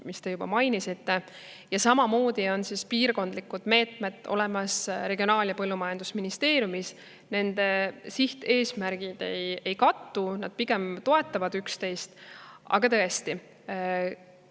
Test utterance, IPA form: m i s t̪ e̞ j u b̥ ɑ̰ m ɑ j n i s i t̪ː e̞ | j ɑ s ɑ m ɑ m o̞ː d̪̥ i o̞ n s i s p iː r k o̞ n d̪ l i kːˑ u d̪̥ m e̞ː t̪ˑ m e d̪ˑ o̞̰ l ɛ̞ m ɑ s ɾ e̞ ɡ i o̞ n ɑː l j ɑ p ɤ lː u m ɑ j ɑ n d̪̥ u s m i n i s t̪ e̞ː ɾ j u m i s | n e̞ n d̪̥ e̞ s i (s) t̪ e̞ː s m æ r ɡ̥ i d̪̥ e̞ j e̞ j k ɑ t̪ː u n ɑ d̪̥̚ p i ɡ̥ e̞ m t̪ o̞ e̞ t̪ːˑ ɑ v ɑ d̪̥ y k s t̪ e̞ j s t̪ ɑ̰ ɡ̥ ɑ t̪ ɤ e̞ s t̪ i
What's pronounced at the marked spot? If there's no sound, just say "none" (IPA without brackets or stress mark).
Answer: h